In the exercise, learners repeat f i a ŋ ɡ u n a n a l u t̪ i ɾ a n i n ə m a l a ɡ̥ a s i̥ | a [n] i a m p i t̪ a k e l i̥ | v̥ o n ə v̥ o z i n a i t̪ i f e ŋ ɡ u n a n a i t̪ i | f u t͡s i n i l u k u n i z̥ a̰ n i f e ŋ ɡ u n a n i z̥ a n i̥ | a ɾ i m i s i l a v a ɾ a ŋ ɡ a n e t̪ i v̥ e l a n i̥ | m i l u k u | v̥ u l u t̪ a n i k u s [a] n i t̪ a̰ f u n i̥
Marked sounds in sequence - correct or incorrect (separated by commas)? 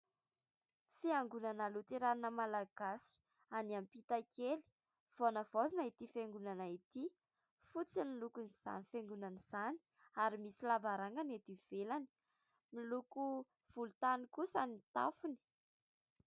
correct, correct